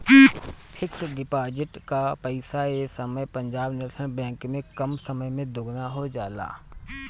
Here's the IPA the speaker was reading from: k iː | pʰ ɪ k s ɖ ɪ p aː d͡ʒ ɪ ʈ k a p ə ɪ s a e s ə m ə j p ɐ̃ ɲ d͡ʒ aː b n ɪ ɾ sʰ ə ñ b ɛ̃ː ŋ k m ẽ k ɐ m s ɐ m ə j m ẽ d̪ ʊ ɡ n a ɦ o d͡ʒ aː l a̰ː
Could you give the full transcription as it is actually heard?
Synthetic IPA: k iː | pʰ ɪ k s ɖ ɪ p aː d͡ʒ ɪ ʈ k a p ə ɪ s a e s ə m ə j p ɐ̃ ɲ d͡ʒ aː b n ɪ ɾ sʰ ə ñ b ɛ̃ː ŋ k m ẽ k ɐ m s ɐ m ə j m ẽ d̪ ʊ ɡ n a ɦ o d͡ʒ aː l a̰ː